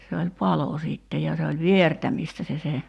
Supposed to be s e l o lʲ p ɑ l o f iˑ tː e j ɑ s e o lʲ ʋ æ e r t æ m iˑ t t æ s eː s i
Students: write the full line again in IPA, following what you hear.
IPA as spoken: s e o lʲ p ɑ l o s iˑ tː e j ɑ s e o lʲ ʋ i e r t æ m iˑ s t æ s e s e